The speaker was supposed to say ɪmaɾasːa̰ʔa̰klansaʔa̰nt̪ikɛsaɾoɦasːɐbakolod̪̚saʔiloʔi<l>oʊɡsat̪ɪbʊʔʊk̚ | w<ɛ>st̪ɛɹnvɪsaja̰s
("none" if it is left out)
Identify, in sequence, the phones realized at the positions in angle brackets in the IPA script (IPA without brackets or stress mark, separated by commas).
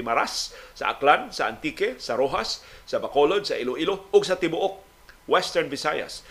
l, ɛ